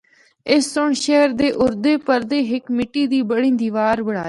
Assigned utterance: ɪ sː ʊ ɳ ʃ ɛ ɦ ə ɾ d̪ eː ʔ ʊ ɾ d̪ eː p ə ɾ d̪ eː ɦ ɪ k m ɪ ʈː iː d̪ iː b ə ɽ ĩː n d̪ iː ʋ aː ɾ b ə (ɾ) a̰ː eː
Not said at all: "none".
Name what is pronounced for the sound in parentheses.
ɽ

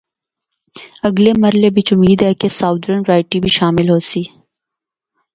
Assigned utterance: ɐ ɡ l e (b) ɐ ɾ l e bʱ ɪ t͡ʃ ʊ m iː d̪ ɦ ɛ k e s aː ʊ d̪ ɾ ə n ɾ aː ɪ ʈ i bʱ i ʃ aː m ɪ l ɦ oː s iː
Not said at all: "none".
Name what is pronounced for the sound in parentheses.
m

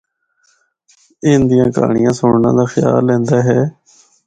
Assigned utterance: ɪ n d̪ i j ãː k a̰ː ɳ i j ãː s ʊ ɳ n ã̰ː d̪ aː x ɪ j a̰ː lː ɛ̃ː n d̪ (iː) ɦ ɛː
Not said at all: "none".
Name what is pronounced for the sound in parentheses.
aː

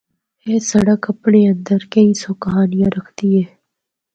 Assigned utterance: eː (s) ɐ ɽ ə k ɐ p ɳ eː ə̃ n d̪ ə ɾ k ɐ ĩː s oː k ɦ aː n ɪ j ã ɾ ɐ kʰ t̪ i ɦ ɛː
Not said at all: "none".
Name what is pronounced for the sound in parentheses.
s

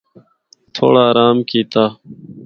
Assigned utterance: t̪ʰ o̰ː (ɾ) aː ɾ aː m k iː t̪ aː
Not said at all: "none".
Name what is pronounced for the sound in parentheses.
ɽ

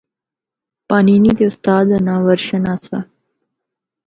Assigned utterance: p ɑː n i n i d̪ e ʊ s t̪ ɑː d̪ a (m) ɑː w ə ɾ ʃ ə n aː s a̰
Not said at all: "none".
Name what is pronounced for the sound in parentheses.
n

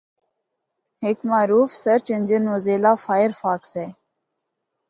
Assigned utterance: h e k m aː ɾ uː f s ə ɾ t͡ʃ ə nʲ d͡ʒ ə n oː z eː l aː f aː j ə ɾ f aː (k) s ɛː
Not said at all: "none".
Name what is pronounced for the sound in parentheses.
k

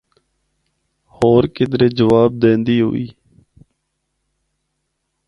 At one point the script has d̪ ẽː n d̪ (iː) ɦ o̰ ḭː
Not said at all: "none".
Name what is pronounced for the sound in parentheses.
iː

